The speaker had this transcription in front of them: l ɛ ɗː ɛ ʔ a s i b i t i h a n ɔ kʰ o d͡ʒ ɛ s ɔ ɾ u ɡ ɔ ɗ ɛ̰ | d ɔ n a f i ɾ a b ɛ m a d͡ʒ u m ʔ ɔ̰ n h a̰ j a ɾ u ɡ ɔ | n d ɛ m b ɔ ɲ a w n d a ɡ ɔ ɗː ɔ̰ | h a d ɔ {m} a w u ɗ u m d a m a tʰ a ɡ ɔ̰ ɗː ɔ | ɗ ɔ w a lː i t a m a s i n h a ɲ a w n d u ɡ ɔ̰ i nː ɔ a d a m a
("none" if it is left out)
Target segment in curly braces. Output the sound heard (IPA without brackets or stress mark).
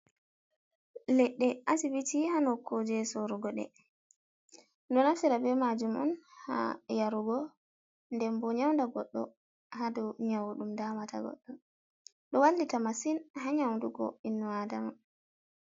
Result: ɲ